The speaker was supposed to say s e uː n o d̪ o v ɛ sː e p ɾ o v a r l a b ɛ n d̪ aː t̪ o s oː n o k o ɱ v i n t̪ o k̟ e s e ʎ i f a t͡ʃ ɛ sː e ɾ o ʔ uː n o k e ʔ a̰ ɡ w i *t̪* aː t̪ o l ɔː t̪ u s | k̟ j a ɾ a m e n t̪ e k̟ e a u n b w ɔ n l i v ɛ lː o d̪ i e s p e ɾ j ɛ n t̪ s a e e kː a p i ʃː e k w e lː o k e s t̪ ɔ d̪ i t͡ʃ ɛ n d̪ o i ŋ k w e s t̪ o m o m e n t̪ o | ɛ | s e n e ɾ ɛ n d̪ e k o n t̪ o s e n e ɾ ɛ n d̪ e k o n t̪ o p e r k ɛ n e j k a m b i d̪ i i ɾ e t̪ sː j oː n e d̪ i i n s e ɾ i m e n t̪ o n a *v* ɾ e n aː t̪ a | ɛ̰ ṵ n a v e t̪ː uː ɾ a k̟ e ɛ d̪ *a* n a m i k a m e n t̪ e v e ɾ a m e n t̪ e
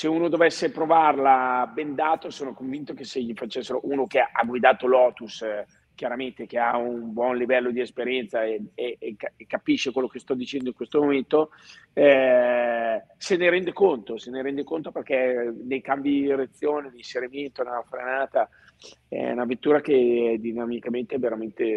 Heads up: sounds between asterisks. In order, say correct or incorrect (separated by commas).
incorrect, incorrect, incorrect